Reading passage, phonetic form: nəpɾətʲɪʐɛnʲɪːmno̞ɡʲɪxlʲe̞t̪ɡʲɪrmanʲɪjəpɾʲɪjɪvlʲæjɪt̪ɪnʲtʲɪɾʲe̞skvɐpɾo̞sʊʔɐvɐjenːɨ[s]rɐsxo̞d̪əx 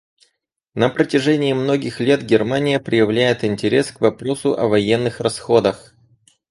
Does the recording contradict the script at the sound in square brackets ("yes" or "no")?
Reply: yes